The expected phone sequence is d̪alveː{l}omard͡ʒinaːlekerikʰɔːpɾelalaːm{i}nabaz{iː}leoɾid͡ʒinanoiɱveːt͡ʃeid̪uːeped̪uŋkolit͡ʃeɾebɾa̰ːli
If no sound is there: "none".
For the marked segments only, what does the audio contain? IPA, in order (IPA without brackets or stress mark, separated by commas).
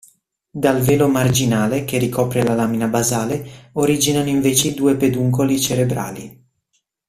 l, i, aː